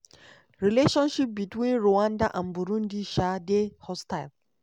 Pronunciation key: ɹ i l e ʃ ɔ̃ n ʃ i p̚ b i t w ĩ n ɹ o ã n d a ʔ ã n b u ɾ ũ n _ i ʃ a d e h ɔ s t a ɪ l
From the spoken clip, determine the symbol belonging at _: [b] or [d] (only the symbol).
d